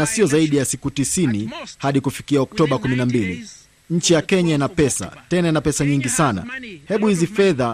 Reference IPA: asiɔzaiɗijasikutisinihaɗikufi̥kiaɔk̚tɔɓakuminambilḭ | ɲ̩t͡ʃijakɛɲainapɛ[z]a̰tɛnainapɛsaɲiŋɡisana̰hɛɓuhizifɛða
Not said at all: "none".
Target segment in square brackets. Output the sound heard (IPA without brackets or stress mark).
s